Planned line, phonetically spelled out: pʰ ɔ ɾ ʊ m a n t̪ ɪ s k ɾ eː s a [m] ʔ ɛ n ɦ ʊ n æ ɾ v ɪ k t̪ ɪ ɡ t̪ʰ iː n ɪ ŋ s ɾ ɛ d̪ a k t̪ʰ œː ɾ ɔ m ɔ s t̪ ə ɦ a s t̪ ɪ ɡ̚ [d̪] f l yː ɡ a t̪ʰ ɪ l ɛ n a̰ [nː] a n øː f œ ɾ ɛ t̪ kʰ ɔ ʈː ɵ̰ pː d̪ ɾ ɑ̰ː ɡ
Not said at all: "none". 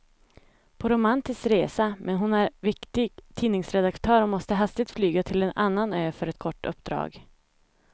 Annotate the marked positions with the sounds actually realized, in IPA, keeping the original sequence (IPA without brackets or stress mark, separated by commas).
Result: m, t̪, nː